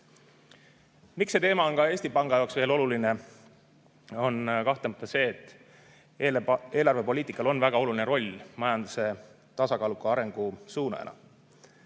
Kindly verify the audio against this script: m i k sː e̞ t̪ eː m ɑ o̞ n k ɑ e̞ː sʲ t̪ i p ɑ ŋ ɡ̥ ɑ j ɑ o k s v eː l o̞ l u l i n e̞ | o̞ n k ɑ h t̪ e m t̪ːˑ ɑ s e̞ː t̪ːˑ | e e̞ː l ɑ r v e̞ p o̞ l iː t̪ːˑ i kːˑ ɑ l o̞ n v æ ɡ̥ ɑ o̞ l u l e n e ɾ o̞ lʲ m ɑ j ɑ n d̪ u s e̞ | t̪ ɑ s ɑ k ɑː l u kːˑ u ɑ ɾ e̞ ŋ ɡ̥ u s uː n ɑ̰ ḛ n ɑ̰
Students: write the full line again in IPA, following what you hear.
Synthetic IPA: m i k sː e̞ t̪ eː m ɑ o̞ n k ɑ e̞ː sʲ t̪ i p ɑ ŋ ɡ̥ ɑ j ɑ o k s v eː l o̞ l u l i n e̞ | o̞ n k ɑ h t̪ e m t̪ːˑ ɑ s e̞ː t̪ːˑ | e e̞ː l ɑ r v e̞ p o̞ l iː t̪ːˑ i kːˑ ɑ l o̞ n v æ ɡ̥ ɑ o̞ l u l i n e ɾ o̞ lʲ m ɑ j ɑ n d̪ u s e̞ | t̪ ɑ s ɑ k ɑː l u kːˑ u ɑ ɾ e̞ ŋ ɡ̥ u s uː n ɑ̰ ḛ n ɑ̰